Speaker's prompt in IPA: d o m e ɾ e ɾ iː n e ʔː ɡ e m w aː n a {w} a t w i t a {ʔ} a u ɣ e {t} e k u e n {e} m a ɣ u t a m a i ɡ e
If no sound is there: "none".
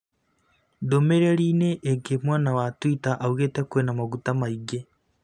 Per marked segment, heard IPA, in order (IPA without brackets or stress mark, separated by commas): w, ʔ, t, a